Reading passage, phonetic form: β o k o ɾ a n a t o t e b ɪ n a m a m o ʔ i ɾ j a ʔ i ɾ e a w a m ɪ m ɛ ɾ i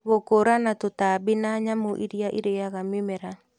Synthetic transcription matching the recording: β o k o ɾ a n a t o t a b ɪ n a ɲ a m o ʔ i ɾ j a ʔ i ɾ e a ɣ a m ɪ m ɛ ɾ a